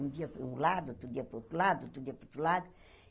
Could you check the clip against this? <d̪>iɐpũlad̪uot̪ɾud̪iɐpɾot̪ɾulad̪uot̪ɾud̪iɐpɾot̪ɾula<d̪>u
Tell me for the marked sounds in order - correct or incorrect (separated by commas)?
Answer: correct, correct